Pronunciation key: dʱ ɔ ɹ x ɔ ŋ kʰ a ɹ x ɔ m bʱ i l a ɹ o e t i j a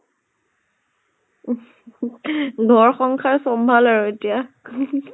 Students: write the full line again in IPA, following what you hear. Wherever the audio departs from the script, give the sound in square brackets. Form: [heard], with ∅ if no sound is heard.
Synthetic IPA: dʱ ɔ ɹ x ɔ ŋ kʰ a ɹ [s] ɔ m bʱ [a] l a ɹ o e t i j a